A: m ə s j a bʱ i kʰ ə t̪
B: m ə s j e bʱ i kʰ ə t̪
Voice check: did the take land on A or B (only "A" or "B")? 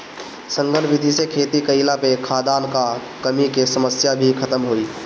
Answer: A